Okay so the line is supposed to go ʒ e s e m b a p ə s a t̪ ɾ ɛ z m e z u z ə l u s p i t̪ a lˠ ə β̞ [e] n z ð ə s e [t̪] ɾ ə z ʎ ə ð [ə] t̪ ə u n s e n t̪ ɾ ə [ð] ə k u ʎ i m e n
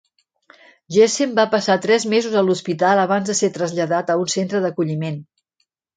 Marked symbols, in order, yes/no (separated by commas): no, yes, no, yes